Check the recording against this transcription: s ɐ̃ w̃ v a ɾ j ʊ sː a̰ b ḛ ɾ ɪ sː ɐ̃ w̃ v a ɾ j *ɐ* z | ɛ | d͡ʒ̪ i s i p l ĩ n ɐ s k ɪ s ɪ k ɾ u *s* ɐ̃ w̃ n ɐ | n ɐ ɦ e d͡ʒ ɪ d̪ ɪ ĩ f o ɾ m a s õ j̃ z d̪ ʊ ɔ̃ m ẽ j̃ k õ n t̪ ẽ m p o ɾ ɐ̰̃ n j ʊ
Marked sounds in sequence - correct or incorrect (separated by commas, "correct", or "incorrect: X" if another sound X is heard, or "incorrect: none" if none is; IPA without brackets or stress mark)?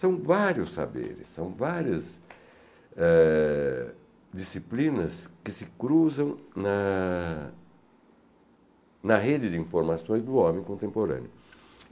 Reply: correct, incorrect: z